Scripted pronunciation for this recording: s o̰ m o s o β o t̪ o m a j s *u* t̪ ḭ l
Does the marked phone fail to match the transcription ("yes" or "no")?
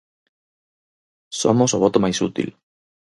no